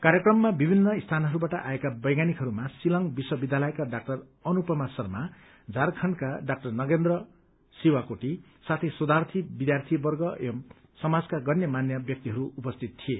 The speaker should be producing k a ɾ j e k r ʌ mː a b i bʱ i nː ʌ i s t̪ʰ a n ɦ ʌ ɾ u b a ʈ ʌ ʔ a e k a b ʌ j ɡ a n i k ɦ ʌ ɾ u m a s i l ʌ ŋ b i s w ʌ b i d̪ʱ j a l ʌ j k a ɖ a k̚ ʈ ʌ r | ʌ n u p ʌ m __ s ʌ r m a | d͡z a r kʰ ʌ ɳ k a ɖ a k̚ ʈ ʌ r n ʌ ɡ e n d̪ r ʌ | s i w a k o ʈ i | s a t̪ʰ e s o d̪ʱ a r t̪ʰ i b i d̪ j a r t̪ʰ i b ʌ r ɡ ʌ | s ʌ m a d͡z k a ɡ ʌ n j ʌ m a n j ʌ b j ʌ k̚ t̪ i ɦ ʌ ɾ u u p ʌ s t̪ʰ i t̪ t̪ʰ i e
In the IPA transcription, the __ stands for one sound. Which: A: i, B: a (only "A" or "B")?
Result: B